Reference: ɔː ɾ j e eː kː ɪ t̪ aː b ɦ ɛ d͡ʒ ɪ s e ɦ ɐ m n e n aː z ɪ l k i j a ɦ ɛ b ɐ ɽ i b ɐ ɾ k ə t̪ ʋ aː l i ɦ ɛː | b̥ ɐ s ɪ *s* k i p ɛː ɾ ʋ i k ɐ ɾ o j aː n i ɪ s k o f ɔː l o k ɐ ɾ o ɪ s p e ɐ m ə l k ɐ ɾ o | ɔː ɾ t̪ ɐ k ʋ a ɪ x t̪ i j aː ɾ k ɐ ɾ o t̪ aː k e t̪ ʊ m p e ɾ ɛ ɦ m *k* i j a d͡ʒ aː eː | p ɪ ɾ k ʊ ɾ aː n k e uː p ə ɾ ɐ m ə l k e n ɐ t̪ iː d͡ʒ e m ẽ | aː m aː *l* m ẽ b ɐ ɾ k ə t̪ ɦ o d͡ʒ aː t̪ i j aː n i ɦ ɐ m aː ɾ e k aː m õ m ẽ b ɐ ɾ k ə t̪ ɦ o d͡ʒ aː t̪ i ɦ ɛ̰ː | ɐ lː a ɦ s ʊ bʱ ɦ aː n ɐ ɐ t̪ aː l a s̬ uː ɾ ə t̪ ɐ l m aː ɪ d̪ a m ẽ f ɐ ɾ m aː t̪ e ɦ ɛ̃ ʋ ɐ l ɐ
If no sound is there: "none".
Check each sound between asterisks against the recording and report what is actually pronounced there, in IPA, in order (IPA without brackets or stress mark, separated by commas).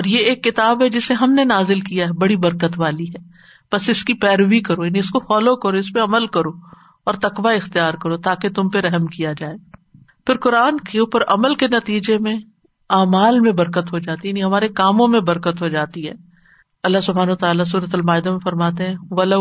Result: s, k, l